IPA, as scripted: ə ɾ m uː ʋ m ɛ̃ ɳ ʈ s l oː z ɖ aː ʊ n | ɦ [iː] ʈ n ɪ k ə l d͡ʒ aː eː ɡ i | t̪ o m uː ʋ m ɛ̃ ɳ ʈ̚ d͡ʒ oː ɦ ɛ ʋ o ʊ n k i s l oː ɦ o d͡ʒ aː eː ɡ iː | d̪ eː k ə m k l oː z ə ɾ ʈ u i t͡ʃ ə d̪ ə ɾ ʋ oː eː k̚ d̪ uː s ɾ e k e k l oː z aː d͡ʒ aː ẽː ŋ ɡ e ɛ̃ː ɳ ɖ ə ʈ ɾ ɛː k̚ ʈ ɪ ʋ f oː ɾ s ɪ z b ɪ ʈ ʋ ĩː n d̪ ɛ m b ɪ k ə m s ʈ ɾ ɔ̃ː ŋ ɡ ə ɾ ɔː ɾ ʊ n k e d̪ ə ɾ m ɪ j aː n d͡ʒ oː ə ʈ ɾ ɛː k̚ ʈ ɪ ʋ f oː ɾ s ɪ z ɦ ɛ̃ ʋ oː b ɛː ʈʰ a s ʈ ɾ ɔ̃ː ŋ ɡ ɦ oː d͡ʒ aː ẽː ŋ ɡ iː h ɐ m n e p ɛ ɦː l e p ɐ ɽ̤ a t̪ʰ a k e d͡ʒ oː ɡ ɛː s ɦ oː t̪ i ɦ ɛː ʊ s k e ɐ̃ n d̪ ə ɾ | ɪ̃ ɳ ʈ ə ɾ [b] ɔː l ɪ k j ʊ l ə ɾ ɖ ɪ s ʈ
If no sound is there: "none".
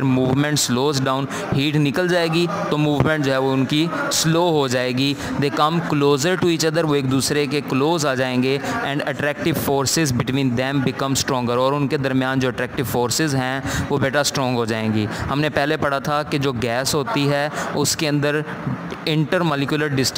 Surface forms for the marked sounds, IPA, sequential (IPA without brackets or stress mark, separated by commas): iː, m